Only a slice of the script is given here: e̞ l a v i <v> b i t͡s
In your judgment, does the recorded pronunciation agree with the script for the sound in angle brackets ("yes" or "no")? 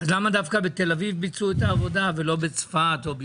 yes